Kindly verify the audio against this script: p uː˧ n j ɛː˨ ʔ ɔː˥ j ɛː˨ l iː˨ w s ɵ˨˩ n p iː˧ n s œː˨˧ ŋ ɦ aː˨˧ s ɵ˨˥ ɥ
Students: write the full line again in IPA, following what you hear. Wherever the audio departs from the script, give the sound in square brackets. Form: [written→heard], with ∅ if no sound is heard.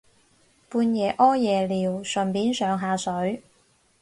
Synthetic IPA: p uː˧ n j ɛː˨ ʔ ɔː˥ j ɛː˨ l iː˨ w s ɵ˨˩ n p [iː˧→iː˨˥] n s œː˨˧ ŋ ɦ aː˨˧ s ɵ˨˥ ɥ